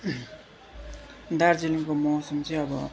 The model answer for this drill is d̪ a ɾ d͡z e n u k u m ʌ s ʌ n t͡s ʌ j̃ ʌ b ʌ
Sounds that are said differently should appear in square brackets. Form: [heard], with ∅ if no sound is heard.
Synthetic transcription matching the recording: d̪ a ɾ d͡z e n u k [o] m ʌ s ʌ [m] t͡s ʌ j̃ ʌ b ʌ